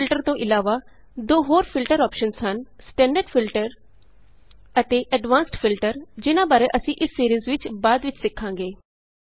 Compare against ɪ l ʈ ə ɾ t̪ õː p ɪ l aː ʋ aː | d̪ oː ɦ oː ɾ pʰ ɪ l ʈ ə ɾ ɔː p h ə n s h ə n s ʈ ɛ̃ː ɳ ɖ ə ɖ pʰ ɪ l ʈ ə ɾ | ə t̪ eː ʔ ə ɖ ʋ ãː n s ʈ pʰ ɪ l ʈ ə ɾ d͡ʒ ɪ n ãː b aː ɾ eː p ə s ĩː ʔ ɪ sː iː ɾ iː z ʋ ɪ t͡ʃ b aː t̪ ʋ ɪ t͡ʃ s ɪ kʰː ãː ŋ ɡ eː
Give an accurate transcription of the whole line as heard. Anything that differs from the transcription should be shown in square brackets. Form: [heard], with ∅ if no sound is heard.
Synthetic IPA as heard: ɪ l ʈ ə ɾ t̪ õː [ʔ] ɪ l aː ʋ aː | d̪ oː ɦ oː ɾ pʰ ɪ l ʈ ə ɾ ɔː p [ʃ] ə n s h ə n s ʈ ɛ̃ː ɳ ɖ ə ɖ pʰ ɪ l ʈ ə ɾ | ə t̪ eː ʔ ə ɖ ʋ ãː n s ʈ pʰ ɪ l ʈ ə ɾ d͡ʒ ɪ n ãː b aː ɾ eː [ʔ] ə s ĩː ʔ ɪ sː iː ɾ iː z ʋ ɪ t͡ʃ b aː [d̪] ʋ ɪ t͡ʃ s ɪ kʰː ãː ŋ ɡ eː

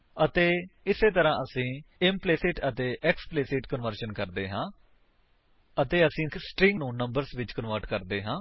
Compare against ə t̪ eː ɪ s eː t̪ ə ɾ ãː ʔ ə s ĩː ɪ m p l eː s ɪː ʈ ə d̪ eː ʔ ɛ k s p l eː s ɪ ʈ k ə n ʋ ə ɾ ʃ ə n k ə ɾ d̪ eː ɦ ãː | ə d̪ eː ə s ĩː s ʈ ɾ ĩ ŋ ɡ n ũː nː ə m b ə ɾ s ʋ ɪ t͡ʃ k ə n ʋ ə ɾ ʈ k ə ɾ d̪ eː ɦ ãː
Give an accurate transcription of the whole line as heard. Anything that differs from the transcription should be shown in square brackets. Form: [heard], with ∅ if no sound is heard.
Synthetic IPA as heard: ə t̪ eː ɪ s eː t̪ ə ɾ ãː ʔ ə s ĩː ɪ m p l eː s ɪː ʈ ə [t̪] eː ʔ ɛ k s p l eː s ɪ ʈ k ə n ʋ ə ɾ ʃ ə n k ə ɾ d̪ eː ɦ ãː | ə [t̪] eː ə s ĩː s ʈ ɾ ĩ ŋ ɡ n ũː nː ə m b ə ɾ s ʋ ɪ t͡ʃ k ə n ʋ ə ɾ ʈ k ə ɾ d̪ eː ɦ ãː

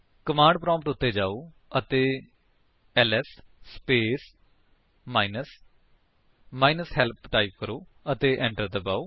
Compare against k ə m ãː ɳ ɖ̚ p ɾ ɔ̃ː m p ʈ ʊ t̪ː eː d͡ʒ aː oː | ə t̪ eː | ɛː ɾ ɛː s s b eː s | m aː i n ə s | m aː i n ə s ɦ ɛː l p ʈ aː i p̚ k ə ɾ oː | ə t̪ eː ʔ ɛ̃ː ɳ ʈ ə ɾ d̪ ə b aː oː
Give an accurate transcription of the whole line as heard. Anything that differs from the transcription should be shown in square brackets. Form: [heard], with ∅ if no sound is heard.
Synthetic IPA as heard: k ə m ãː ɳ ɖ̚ p ɾ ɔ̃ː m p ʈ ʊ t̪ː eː d͡ʒ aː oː | ə t̪ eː | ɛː [l] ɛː s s [p] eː s | m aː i n ə s | m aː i n ə s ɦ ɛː l p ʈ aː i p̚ k ə ɾ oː | ə t̪ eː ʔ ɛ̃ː ɳ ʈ ə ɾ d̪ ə b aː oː

